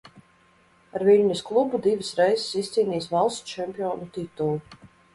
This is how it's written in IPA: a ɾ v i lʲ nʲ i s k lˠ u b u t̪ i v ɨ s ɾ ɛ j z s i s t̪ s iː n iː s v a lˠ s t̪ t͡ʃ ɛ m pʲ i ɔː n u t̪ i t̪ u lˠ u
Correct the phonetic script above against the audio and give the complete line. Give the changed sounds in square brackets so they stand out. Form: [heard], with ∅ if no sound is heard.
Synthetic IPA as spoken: a ɾ v i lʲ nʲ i s k lˠ u b u [d̪] i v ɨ s ɾ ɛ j z s i s t̪ s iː n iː s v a lˠ s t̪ t͡ʃ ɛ m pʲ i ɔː n u t̪ i t̪ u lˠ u

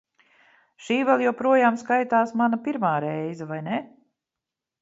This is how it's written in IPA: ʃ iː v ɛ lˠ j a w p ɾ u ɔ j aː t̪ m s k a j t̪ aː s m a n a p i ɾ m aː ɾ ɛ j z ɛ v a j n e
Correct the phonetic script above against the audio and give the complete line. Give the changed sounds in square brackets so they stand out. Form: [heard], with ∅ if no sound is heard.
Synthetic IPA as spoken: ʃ iː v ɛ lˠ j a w p ɾ u ɔ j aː [∅] m s k a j t̪ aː s m a n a p i ɾ m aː ɾ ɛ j z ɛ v a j n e

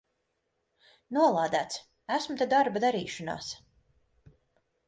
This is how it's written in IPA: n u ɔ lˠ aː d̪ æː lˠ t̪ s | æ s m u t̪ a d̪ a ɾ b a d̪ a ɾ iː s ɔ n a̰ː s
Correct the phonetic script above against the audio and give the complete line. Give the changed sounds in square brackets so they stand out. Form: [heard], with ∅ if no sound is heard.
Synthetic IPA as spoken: n u ɔ lˠ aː d̪ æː [∅] t̪ s | æ s m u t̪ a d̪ a ɾ b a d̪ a ɾ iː [ʃ] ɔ n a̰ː s

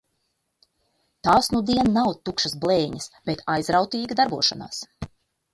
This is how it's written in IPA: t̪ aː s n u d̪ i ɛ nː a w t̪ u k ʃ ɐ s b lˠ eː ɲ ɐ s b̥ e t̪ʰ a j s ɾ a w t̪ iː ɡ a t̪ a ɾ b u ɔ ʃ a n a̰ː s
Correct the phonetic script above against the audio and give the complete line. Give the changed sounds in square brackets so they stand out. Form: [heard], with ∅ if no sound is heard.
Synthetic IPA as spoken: t̪ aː s n u d̪ i ɛ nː a w t̪ u k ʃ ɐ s b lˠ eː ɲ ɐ s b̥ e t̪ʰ a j [z] ɾ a w t̪ iː ɡ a [d̪] a ɾ b u ɔ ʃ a n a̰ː s

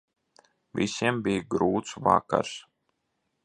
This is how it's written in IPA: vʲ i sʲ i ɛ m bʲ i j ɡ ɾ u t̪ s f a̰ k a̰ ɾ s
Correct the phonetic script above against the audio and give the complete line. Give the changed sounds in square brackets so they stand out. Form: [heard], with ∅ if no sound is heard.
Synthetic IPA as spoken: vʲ i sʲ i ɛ m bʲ i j ɡ ɾ [uː] t̪ s [v] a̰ k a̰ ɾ s

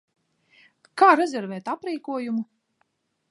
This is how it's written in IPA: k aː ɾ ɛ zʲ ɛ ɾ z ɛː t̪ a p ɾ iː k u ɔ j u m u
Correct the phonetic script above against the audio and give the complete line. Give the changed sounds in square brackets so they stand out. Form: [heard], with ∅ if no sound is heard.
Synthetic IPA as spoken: k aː ɾ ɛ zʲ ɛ ɾ [v] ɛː t̪ a p ɾ iː k u ɔ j u m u

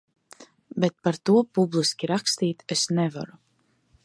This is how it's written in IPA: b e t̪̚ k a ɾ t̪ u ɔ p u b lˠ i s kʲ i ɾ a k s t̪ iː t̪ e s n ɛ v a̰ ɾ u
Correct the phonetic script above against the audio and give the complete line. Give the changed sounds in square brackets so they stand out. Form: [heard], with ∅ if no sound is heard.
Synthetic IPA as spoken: b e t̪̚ [p] a ɾ t̪ u ɔ p u b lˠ i s kʲ i ɾ a k s t̪ iː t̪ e s n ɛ v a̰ ɾ u

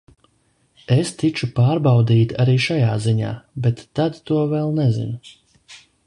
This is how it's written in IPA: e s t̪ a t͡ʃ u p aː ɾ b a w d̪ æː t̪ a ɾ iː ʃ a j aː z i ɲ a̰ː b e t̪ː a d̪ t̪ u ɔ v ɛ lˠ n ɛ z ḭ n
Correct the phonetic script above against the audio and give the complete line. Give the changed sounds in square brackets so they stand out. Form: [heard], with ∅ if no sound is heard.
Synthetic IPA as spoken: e s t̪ [i] t͡ʃ u p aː ɾ b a w d̪ [iː] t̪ a ɾ iː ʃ a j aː z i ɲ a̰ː b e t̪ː a d̪ t̪ u ɔ v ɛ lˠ n ɛ z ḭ n

